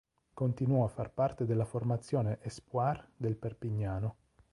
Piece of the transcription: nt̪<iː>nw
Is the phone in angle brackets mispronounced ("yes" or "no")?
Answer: yes